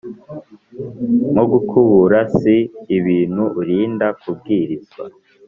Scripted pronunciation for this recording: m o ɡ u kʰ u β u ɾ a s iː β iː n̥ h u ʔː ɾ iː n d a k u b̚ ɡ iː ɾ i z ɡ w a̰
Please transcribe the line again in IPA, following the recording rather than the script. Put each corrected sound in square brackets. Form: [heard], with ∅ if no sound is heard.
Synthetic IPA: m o ɡ u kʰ u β u ɾ a s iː β iː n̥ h u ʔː ɾ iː n d a k u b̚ ɡ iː ɾ i z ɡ w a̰